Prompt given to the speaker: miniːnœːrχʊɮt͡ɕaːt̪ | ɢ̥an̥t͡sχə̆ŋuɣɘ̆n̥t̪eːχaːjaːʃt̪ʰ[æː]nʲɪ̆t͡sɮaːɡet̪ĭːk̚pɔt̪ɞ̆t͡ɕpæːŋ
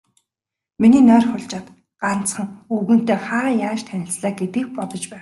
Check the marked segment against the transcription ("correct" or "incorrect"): incorrect